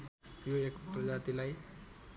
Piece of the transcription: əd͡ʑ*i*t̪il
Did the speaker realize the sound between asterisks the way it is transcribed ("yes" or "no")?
no